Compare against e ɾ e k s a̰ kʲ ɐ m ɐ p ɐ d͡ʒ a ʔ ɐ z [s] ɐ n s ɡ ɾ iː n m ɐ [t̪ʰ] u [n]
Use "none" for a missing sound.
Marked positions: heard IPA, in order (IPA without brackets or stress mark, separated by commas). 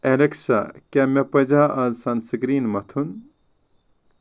s, t̪ʰ, n